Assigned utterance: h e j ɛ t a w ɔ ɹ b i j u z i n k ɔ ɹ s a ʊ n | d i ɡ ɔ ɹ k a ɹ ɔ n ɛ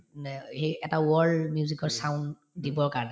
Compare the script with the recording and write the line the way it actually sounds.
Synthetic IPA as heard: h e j ɛ t a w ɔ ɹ m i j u z i k ɔ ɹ s a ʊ n | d i b ɔ ɹ k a ɹ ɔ n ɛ